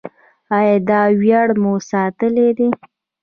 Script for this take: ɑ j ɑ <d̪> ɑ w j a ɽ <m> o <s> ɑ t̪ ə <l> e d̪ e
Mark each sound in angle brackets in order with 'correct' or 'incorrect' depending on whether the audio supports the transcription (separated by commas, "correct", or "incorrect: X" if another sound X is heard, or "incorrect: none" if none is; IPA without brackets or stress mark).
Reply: correct, correct, correct, correct